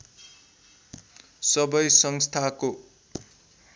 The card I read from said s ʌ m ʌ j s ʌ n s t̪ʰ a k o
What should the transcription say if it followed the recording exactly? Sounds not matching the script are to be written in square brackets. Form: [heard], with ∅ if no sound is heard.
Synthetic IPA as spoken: s ʌ [b] ʌ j s ʌ [ŋ] s t̪ʰ a k o